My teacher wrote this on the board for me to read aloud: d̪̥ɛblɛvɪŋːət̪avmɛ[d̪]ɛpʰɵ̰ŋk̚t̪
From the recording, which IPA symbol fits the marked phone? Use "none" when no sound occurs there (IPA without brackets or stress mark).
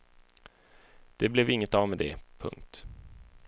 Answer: d̪